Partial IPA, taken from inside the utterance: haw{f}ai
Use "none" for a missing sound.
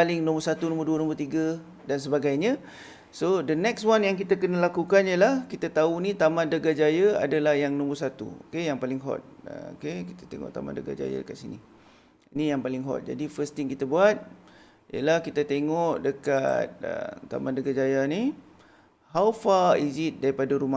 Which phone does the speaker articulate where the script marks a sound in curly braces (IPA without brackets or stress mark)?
f